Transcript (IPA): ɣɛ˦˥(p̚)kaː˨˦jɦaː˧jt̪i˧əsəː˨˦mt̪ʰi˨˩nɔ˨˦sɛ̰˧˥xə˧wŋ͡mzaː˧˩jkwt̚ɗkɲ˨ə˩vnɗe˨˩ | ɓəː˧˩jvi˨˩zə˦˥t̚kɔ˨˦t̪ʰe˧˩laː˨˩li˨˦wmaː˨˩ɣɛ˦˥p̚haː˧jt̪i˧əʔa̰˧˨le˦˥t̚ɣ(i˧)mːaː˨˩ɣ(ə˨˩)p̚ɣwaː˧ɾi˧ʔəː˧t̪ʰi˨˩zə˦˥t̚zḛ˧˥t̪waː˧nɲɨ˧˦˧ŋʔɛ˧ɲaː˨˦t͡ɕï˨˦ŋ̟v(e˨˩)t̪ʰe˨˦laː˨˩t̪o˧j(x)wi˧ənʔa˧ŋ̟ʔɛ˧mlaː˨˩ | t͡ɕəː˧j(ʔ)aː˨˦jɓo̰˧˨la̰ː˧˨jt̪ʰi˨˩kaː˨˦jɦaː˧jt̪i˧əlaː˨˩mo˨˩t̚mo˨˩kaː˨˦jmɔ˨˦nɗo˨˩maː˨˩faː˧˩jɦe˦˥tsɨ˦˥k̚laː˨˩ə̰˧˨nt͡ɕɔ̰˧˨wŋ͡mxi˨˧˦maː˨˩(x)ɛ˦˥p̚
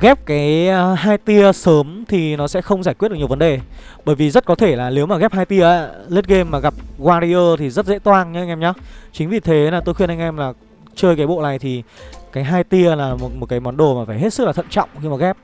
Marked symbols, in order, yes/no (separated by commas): yes, no, no, no, yes, no, no